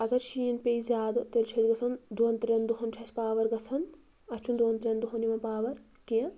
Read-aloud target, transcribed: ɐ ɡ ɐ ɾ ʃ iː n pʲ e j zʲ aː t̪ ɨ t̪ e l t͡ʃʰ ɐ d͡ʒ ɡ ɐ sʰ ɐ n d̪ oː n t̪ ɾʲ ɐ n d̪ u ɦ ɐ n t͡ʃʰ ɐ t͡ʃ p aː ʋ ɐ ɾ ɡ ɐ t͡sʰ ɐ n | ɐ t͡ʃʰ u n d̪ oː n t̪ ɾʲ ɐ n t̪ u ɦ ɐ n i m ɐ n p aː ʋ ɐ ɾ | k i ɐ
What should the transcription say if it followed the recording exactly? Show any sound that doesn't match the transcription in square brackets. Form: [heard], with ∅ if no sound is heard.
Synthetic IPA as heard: ɐ ɡ ɐ ɾ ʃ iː n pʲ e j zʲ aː [d̪] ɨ t̪ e l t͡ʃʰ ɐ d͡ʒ ɡ ɐ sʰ ɐ n d̪ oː n t̪ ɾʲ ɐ n d̪ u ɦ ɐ n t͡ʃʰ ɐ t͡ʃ p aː ʋ ɐ ɾ ɡ ɐ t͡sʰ ɐ n | ɐ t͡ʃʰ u n d̪ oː n t̪ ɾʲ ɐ n [d̪] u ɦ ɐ n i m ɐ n p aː ʋ ɐ ɾ | k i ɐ

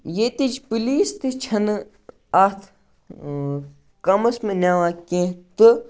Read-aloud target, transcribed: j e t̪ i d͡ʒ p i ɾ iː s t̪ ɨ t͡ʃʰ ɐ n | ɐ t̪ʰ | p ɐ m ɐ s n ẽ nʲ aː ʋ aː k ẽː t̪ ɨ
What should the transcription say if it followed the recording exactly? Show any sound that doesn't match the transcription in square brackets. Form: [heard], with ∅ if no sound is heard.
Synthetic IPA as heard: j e t̪ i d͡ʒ p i [l] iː s t̪ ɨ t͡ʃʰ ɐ n | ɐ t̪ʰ | [k] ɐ m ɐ s [m] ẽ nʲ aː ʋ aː k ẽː t̪ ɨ

